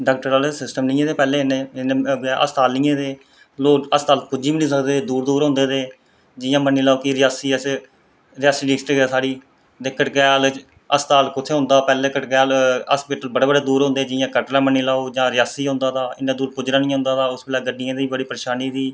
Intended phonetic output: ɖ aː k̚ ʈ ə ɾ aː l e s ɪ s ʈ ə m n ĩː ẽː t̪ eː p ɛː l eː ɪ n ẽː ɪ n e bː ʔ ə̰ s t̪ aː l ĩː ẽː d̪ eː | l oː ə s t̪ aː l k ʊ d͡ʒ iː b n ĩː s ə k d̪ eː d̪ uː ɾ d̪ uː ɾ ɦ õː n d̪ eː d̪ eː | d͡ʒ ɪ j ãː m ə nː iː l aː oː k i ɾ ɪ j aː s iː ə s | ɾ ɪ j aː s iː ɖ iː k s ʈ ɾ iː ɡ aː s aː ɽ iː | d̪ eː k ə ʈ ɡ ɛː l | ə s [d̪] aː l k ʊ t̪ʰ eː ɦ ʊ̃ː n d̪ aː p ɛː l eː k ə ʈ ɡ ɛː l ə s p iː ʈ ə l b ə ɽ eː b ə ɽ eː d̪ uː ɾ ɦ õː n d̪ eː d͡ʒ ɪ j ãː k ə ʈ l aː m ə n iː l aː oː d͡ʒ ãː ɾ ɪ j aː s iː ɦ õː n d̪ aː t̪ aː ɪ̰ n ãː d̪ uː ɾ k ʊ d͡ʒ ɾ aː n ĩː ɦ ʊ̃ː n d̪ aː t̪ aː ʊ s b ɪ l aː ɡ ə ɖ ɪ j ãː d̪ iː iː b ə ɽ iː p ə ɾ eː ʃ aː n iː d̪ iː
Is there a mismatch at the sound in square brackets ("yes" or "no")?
yes